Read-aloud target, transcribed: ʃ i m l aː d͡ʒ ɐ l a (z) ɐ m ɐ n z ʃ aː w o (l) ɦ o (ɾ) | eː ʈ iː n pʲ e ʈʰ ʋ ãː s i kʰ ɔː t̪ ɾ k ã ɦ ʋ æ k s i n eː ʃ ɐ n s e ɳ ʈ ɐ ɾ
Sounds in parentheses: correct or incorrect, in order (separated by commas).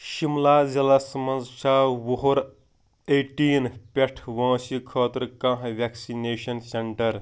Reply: incorrect, incorrect, correct